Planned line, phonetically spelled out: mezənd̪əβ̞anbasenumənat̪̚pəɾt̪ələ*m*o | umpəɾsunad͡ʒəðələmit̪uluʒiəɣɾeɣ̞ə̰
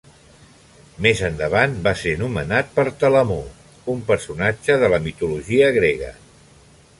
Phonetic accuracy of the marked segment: correct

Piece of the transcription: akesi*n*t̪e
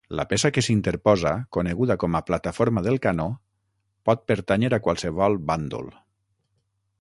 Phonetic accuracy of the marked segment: correct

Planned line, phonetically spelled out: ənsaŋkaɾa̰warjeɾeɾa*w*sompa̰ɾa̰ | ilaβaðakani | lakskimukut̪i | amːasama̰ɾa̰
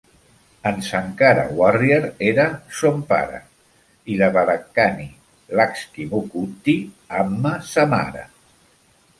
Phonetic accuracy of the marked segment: incorrect: none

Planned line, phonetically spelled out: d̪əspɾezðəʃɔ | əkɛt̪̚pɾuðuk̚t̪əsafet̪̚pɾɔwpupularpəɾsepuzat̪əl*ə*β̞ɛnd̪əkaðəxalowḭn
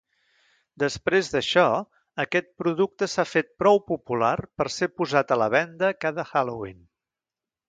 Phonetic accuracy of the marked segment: correct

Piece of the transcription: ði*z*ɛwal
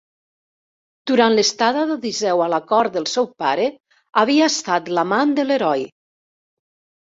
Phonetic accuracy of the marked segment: correct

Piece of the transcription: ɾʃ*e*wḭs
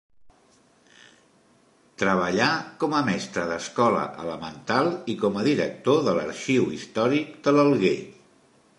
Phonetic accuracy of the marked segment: incorrect: i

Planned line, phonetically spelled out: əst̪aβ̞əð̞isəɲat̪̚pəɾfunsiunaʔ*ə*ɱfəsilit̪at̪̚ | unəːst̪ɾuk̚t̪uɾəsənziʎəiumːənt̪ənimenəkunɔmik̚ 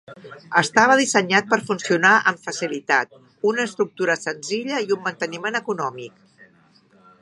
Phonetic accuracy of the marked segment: correct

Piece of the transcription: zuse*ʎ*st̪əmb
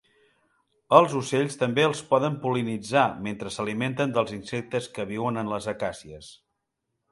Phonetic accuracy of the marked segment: correct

